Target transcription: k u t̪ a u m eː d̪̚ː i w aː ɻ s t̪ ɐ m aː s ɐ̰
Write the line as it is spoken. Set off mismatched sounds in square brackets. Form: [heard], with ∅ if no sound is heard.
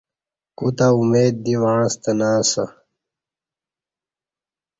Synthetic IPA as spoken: k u t̪ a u m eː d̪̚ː i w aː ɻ s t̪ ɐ [n] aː s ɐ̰